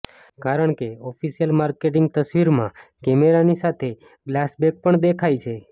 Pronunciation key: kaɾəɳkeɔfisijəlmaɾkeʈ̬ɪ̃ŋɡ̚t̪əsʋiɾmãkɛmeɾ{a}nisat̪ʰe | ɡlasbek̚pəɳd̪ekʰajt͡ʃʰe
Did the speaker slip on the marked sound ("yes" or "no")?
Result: no